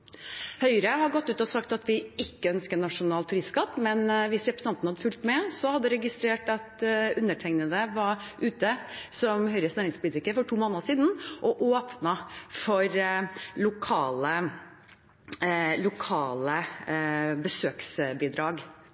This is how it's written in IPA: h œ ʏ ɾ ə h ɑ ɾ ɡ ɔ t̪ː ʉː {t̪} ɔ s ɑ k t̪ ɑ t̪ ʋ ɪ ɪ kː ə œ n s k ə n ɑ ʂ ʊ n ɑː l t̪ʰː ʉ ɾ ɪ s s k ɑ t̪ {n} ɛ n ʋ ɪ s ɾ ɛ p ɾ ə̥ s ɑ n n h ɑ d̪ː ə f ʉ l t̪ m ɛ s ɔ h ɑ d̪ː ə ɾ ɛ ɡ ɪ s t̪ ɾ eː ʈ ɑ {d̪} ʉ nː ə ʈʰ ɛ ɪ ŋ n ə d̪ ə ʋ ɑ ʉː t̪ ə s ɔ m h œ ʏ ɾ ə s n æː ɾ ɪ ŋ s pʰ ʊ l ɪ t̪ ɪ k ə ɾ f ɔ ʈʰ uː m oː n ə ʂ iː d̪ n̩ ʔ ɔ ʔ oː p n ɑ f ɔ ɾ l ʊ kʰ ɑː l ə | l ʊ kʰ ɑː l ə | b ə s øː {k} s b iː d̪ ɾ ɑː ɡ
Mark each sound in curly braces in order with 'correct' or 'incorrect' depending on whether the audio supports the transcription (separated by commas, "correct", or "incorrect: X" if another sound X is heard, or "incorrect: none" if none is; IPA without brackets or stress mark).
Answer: correct, incorrect: m, incorrect: t̪, correct